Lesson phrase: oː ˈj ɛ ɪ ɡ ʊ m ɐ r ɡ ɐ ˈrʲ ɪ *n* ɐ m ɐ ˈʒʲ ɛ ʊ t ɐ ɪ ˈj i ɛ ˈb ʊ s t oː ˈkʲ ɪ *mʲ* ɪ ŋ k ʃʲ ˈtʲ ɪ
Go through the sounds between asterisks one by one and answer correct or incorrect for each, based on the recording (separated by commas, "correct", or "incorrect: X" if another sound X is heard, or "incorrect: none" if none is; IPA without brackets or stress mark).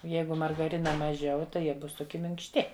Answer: correct, correct